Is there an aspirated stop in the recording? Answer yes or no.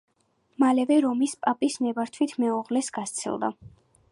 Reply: yes